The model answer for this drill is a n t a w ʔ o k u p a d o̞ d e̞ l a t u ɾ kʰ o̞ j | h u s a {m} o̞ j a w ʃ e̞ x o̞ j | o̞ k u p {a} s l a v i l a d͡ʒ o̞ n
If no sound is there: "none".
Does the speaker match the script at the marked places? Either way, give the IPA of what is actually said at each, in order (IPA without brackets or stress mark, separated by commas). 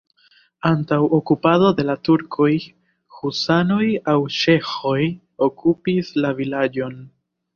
n, i